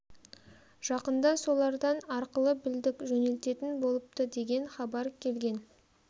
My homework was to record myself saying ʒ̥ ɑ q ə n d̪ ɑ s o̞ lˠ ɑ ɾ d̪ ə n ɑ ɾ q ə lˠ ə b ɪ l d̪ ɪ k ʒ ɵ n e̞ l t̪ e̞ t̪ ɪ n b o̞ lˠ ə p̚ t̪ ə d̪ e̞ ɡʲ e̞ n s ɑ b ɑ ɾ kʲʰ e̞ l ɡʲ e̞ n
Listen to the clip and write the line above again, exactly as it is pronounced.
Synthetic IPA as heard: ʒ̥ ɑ q ə n d̪ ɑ s o̞ lˠ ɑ ɾ d̪ ɑ n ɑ ɾ q ə lˠ ə b ɪ l d̪ ɪ k ʒ ɵ n e̞ l t̪ e̞ t̪ ɪ n b o̞ lˠ ə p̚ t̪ ə d̪ e̞ ɡʲ e̞ n χ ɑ b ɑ ɾ kʲʰ e̞ l ɡʲ e̞ n